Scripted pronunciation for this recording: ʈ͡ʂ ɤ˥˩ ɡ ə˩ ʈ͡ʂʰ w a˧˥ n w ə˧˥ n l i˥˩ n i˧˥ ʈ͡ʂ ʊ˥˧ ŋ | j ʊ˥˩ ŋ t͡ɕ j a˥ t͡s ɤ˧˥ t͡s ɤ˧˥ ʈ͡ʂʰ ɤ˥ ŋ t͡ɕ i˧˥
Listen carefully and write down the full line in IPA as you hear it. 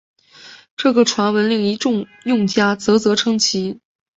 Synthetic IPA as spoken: ʈ͡ʂ ɤ˥˩ ɡ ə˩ ʈ͡ʂʰ w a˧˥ n w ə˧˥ n l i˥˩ ŋ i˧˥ ʈ͡ʂ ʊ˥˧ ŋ | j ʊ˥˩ ŋ t͡ɕ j a˥ t͡s ɤ˧˥ t͡s ɤ˧˥ ʈ͡ʂʰ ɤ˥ ŋ t͡ɕʰ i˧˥